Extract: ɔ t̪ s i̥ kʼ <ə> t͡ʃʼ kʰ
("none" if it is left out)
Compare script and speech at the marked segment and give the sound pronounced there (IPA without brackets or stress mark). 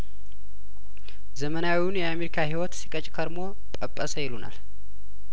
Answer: ə